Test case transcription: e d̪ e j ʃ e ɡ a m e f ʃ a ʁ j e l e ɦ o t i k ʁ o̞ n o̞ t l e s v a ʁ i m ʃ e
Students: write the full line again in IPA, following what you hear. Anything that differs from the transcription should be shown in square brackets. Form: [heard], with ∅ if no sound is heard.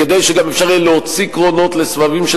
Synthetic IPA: e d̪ e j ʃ e ɡ a m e f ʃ a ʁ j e l e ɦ o [t͡s] i k ʁ o̞ n o̞ t l e s v a [v] i m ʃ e